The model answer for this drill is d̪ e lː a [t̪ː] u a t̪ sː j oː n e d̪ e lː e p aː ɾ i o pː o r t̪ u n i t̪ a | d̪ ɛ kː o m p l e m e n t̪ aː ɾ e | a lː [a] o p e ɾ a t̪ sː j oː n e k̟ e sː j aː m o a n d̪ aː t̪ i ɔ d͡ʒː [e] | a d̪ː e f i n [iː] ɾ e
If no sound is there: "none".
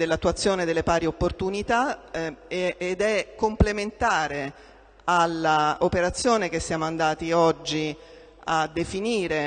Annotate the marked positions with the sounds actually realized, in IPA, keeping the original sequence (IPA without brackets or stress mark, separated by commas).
t̪ː, a, i, iː